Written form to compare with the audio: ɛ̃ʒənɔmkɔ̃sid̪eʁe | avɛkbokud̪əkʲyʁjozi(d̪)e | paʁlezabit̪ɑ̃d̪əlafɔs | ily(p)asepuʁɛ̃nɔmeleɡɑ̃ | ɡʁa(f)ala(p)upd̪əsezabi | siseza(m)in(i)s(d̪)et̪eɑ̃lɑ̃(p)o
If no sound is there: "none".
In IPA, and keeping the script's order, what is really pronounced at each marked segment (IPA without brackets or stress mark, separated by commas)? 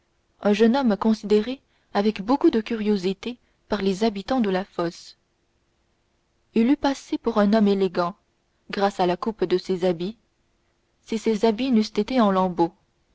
t̪, p, s, k, b, y, t̪, b